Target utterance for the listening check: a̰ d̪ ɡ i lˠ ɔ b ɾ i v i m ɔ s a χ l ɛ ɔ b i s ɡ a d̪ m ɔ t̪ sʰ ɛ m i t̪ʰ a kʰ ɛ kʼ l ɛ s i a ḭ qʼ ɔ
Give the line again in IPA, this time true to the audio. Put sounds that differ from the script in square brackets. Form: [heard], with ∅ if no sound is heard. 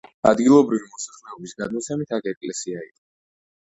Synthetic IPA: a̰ d̪ ɡ i lˠ ɔ b ɾ i v i m ɔ s a χ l ɛ ɔ b i s ɡ a d̪ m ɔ t̪ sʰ ɛ m i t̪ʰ a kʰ ɛ kʼ l ɛ s i a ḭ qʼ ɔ